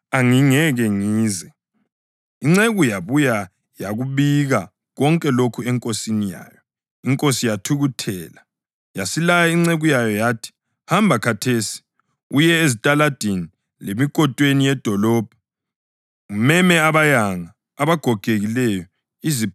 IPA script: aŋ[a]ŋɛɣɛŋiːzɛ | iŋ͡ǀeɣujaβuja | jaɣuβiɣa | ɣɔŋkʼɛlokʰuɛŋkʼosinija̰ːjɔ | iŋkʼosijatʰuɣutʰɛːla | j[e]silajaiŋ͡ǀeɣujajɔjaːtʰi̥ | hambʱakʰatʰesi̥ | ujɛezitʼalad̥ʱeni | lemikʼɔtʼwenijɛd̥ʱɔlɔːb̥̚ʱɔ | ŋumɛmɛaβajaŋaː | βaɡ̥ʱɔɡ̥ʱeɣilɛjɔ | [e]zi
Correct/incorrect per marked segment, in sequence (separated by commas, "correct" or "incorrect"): incorrect, incorrect, incorrect